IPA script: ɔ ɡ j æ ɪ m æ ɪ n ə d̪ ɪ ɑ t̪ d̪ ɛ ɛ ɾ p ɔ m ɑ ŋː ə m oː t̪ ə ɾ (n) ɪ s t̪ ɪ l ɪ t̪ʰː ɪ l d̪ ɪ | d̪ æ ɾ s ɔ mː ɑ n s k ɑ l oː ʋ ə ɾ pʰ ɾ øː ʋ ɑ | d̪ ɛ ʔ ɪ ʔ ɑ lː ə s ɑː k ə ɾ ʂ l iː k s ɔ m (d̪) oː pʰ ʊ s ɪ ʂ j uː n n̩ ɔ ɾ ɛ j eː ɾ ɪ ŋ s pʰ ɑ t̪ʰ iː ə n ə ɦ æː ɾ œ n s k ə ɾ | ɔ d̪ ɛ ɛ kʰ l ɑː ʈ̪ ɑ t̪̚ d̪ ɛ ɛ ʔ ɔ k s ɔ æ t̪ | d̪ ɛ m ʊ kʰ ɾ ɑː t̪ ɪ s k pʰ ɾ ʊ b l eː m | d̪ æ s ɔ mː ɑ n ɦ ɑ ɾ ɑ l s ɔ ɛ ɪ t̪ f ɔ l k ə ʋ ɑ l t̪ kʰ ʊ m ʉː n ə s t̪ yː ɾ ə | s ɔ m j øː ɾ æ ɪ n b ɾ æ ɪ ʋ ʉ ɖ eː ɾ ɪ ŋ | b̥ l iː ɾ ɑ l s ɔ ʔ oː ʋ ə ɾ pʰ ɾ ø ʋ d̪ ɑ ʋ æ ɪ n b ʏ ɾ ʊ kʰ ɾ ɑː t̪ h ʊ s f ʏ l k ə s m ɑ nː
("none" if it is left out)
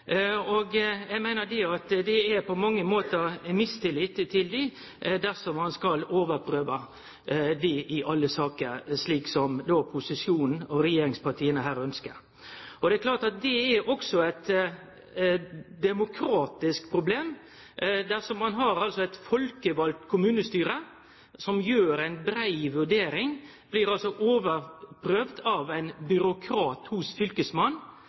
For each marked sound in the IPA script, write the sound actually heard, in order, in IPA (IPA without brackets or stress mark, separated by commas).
m, d̪